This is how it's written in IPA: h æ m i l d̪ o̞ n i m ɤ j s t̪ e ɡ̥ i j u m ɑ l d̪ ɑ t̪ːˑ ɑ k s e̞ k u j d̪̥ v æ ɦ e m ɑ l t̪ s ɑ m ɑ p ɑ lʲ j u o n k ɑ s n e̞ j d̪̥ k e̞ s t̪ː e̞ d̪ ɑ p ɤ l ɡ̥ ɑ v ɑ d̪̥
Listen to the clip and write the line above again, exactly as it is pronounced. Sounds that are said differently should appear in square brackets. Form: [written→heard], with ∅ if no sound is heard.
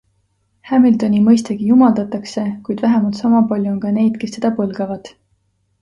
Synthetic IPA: h æ m i l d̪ o̞ n i m ɤ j s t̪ e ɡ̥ i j u m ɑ l d̪ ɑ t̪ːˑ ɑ k s e̞ k u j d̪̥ v æ ɦ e m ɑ l t̪ s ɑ m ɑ p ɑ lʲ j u o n k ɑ [s→∅] n e̞ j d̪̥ k e̞ s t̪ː e̞ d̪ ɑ p ɤ l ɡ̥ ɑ v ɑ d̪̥